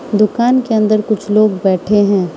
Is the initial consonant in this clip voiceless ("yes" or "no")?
no